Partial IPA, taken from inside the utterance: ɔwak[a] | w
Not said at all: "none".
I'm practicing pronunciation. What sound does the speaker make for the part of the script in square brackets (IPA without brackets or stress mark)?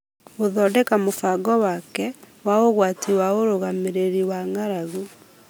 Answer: ɛ